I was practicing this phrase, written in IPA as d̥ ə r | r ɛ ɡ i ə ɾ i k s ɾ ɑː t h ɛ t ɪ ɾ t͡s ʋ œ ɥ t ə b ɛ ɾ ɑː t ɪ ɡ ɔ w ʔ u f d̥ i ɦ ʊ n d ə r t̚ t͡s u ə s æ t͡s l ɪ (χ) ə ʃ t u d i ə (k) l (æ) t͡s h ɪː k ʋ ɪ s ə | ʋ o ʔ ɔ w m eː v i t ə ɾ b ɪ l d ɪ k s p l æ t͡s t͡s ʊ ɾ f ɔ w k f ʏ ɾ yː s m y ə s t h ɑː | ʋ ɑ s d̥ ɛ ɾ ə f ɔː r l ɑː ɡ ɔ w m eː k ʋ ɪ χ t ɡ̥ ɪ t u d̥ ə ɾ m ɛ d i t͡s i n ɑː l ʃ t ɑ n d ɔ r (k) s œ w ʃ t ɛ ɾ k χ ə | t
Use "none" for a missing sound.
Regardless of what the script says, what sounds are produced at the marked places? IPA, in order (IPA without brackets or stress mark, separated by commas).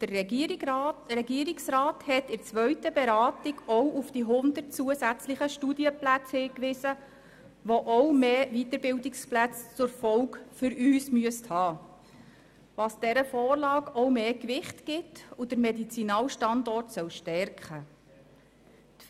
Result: χ, p, æ, t